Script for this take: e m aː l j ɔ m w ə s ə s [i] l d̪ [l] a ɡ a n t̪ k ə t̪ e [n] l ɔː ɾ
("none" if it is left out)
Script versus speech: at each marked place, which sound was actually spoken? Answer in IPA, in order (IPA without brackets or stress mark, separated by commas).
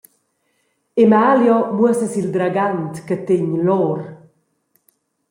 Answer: i, ɾ, ɲ